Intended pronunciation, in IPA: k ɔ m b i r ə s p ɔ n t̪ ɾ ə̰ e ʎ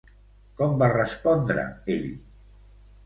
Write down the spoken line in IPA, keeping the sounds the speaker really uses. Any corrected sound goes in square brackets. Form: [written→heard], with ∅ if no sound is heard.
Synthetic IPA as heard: k ɔ m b [i→a] r ə s p ɔ n [t̪→d̪] ɾ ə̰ e ʎ